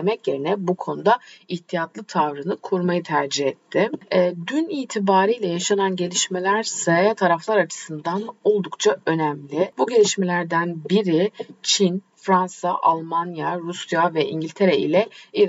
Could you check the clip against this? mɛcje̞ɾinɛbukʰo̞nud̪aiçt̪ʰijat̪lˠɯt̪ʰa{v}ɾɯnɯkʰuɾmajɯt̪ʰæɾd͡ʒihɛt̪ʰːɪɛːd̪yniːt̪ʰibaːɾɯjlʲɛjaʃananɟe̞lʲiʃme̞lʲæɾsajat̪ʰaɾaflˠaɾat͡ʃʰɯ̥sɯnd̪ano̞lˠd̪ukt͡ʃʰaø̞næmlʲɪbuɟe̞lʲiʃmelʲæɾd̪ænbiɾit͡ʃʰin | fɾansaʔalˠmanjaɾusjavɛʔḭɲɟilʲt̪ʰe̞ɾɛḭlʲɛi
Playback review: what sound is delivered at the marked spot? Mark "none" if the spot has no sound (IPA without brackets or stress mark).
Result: v